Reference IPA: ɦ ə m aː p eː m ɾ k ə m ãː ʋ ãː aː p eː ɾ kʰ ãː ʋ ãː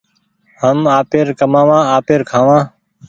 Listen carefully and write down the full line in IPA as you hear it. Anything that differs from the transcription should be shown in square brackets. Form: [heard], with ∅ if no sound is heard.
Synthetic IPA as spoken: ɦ ə m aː p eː [∅] ɾ k ə m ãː ʋ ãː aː p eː ɾ kʰ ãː ʋ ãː